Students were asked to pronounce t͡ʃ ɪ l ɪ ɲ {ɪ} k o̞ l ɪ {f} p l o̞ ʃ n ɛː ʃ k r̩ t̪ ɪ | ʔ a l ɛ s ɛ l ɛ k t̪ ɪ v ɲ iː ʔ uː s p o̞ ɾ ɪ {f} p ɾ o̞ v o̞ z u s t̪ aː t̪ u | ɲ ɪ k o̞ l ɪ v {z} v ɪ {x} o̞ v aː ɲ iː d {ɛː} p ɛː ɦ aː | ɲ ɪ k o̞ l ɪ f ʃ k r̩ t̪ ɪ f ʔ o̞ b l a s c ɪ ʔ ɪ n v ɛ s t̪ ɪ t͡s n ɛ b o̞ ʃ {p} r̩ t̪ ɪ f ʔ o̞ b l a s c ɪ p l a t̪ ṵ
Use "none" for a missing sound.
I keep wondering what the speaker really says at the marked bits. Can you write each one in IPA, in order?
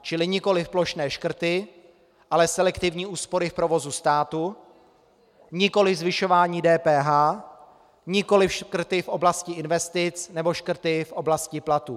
ɪ, f, f, z, ʃ, ɛː, k

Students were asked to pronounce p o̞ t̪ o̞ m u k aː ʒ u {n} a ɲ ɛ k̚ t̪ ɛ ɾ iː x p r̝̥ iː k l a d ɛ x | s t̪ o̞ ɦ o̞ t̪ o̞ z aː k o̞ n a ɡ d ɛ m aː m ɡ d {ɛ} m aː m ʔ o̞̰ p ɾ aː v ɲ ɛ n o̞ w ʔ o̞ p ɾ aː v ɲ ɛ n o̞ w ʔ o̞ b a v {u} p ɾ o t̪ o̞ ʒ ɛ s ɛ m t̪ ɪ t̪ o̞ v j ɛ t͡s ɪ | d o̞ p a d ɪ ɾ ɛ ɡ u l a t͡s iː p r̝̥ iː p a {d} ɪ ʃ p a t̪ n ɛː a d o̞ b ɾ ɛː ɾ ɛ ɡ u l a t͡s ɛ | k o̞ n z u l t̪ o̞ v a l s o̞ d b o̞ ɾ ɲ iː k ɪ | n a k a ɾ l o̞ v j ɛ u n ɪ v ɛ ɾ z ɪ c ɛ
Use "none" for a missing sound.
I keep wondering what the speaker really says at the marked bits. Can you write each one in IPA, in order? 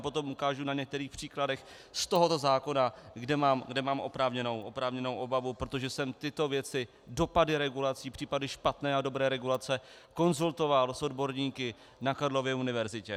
n, ɛ, u, d

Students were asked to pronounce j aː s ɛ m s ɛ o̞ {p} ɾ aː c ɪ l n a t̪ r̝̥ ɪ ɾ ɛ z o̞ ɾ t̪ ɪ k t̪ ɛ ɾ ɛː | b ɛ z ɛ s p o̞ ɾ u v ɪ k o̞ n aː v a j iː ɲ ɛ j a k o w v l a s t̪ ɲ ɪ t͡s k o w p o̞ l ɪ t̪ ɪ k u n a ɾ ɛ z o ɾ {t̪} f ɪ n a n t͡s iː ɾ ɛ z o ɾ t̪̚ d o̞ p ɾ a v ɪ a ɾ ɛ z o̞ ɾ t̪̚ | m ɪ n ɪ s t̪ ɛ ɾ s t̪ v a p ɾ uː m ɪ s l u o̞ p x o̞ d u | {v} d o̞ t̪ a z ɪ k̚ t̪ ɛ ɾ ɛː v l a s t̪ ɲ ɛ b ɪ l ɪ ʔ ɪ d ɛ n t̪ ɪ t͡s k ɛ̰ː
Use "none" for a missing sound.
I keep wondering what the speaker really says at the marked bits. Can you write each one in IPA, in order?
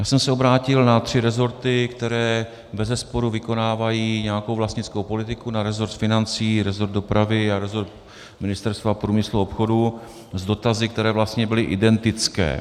b, t̪, z

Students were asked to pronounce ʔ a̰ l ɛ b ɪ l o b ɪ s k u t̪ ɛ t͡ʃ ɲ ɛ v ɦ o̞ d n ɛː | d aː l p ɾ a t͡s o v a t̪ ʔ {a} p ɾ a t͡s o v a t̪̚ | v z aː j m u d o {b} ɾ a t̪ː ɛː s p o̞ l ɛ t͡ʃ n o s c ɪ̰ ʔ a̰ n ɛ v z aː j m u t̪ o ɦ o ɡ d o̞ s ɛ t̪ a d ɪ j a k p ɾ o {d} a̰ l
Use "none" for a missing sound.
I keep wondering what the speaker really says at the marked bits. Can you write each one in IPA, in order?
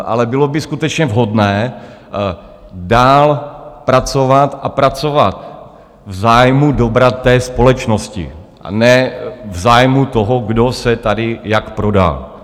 a, b, d

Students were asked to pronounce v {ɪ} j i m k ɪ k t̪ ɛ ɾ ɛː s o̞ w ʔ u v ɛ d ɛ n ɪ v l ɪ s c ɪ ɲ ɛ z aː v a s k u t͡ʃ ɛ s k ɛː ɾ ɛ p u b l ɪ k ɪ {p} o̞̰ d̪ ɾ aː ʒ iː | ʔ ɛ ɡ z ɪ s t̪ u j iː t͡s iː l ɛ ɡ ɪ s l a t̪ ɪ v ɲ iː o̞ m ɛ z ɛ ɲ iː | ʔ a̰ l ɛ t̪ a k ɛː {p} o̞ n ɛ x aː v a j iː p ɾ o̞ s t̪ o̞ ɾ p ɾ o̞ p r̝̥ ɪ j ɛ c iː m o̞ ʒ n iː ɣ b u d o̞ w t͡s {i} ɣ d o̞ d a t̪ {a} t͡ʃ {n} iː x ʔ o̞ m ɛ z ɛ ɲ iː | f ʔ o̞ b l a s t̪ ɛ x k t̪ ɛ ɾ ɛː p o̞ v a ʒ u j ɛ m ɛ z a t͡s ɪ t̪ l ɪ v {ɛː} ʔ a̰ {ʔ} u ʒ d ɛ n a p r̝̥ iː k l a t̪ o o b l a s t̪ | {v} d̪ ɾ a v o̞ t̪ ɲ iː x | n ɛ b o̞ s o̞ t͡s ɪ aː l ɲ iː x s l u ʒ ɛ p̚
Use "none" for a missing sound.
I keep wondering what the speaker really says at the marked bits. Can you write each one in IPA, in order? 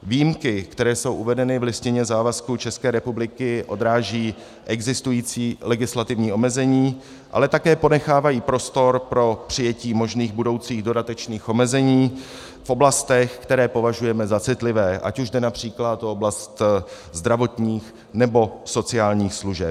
i, ʔ, p, iː, ɛ, n, ɛː, c, z

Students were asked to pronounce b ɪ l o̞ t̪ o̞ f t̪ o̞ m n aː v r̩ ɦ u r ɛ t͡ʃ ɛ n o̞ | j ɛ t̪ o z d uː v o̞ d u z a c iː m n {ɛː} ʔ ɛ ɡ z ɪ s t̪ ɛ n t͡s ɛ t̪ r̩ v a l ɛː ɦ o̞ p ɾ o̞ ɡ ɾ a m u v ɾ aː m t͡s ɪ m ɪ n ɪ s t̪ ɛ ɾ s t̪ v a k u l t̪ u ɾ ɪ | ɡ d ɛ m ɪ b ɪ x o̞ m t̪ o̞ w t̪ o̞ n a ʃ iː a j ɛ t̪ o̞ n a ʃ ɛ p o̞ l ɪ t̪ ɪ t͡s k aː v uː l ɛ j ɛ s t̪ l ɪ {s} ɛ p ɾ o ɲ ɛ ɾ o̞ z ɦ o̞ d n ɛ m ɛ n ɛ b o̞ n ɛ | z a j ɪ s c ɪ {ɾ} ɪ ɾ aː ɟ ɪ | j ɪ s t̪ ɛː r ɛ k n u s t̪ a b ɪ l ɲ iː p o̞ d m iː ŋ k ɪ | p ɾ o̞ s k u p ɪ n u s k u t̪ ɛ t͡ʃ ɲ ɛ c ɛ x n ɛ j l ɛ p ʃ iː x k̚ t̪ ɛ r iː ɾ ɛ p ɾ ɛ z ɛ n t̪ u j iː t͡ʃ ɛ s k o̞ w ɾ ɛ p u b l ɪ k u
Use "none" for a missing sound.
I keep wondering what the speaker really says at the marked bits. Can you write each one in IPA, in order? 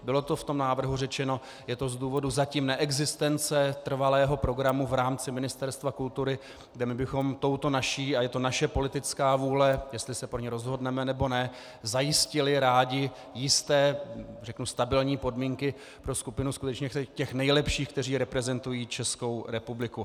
ɛ, s, l

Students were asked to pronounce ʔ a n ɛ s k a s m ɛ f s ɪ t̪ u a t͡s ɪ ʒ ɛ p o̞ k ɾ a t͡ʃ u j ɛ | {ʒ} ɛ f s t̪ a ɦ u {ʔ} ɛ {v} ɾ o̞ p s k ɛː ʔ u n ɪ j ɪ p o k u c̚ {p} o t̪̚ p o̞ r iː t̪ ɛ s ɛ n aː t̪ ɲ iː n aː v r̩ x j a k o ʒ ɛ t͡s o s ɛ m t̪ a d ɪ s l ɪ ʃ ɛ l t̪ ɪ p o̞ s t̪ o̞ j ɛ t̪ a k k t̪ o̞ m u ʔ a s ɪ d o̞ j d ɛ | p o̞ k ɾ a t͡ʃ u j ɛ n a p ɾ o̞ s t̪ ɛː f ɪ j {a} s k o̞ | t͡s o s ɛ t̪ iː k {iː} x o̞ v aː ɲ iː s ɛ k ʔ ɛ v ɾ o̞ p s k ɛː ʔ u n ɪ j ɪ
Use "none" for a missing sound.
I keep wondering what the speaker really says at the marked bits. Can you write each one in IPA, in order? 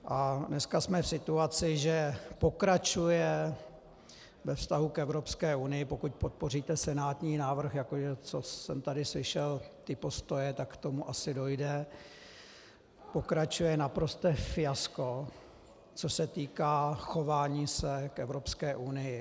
v, k, v, p, a, aː

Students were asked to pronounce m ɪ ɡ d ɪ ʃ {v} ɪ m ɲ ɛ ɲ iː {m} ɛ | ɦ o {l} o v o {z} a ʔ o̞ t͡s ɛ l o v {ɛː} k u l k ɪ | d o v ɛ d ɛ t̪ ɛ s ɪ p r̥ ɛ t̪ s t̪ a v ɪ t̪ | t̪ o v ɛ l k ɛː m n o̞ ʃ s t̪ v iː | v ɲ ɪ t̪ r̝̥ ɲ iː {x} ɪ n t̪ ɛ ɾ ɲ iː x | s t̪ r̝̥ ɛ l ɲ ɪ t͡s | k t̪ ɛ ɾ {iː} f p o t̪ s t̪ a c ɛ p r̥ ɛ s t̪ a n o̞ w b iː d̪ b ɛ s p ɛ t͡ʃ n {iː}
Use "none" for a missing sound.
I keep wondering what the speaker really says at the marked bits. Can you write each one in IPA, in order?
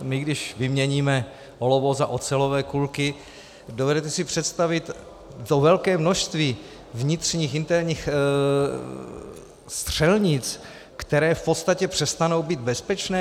v, m, l, z, ɛː, x, ɛː, ɛː

